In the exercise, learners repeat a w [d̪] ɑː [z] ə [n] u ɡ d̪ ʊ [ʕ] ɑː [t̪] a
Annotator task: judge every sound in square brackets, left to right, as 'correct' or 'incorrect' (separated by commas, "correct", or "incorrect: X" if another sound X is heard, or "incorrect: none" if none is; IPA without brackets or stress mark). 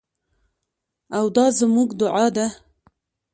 correct, correct, incorrect: m, correct, incorrect: d̪